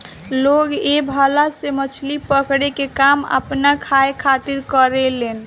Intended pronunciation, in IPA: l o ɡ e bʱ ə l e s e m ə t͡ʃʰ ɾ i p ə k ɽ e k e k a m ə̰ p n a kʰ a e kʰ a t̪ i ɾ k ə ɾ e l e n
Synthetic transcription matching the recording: l o ɡ e bʱ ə l a s e m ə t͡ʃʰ l i p ə k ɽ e k e k a m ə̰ p n a kʰ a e kʰ a t̪ i ɾ k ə ɾ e l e n

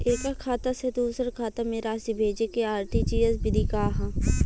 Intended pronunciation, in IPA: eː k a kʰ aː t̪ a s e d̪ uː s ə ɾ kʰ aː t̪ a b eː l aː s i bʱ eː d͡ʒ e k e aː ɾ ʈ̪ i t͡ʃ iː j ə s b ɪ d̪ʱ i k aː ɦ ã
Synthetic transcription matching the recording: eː k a kʰ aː t̪ a s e d̪ uː s ə ɾ kʰ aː t̪ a m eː ɾ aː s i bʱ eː d͡ʒ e k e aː ɾ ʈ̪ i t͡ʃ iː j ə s b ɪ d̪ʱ i k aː ɦ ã

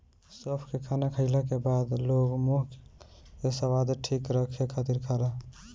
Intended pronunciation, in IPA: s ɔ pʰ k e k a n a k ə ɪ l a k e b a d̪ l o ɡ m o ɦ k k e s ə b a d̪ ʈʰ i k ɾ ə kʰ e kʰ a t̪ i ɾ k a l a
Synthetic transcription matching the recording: s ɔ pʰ k e kʰ a n a kʰ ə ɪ l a k e b a d̪ l o ɡ m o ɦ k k e s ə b a d̪ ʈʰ i k ɾ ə kʰ e kʰ a t̪ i ɾ kʰ a l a

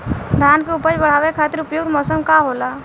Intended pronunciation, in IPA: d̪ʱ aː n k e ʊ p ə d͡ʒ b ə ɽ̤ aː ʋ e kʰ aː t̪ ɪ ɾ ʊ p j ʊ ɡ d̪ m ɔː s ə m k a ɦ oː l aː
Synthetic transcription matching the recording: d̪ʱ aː n k e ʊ p ə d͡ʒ b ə ɽ̤ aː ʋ e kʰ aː t̪ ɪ ɾ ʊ p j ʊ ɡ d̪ m ɔː s ə m k a ɦ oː l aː

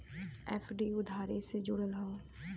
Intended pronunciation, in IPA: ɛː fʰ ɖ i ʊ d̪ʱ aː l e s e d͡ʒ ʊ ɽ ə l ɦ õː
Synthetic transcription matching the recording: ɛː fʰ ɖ i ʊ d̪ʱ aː ɾ e s e d͡ʒ ʊ ɽ ə l ɦ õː

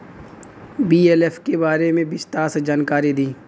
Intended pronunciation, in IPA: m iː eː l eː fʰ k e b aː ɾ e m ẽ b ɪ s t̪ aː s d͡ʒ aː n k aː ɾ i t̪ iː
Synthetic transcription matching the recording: b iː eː l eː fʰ k e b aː ɾ e m ẽ b ɪ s t̪ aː s d͡ʒ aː n k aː ɾ i d̪ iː

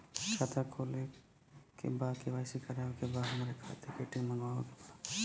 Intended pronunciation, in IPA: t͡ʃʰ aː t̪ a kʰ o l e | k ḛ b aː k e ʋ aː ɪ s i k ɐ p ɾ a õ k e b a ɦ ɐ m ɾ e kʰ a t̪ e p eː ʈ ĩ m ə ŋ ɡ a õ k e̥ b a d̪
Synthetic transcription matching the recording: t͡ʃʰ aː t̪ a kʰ o l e | k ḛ b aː k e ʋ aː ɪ s i k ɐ ɾ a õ k e b a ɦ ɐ m ɾ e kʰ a t̪ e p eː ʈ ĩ m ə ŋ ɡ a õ k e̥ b a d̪

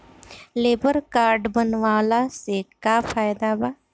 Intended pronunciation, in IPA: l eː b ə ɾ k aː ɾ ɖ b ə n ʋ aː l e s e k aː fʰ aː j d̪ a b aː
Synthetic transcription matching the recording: l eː b ə ɾ k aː ɾ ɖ b ə n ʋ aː l a s e k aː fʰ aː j d̪ a b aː

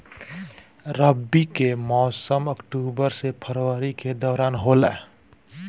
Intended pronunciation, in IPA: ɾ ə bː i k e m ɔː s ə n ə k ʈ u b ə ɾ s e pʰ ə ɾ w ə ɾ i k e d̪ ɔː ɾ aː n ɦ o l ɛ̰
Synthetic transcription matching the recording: ɾ ə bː i k e m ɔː s ə m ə k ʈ u b ə ɾ s e pʰ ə ɾ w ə ɾ i k e d̪ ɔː ɾ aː n ɦ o l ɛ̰

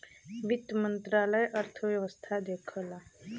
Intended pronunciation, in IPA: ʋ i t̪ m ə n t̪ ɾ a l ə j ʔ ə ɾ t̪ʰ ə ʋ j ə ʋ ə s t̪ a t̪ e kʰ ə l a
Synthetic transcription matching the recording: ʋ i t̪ m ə n t̪ ɾ a l ə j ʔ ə ɾ t̪ʰ ə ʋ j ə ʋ ə s t̪ʰ a d̪ e kʰ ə l a

